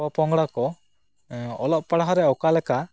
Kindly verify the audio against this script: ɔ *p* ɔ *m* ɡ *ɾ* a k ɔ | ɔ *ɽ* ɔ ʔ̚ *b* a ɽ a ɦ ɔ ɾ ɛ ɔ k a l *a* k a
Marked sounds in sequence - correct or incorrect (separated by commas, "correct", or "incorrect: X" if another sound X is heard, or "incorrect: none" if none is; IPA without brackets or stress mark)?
correct, incorrect: ŋ, incorrect: ɽ, incorrect: l, incorrect: p, incorrect: ɛ